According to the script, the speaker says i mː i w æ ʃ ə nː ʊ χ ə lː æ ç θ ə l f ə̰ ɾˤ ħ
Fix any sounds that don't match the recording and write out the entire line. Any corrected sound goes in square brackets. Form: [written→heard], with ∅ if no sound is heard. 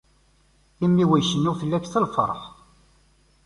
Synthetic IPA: i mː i w æ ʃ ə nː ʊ [χ→θ] ə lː æ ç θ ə l f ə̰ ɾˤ ħ